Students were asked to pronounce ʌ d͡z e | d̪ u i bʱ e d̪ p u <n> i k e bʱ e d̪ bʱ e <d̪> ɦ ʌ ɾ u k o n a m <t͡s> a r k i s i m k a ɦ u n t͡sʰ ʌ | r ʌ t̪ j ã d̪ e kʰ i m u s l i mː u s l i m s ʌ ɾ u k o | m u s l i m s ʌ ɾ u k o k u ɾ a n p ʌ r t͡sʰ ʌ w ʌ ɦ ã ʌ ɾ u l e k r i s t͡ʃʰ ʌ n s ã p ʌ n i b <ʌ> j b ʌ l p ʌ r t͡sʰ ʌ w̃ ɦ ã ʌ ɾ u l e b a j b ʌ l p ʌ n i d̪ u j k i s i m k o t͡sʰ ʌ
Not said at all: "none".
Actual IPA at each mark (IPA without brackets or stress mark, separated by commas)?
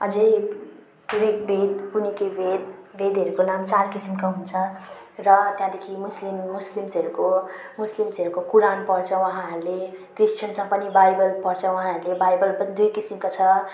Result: n, d̪, t͡s, a